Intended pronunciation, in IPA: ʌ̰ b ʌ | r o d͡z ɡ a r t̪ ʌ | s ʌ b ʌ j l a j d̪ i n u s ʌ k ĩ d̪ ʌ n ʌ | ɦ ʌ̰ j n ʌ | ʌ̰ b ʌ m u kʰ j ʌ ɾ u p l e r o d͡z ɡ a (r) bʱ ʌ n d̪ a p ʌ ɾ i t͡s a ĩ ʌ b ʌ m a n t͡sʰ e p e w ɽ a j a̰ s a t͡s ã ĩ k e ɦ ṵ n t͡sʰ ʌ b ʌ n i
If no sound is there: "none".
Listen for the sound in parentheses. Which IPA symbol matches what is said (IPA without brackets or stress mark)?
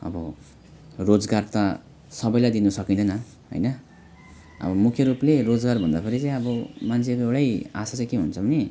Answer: r